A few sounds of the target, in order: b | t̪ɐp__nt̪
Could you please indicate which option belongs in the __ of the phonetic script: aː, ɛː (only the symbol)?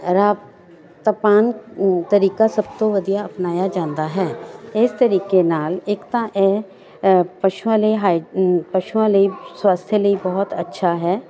aː